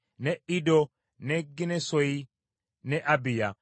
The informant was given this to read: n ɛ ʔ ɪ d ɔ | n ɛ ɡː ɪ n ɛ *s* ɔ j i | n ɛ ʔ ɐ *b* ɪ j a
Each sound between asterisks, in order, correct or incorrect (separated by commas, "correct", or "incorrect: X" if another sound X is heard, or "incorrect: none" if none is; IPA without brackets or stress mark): correct, correct